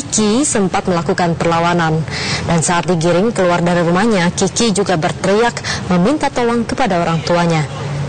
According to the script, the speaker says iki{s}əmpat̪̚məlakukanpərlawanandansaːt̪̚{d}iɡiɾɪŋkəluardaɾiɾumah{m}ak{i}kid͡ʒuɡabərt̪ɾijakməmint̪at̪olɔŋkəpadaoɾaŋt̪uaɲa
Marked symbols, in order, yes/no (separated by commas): yes, yes, no, yes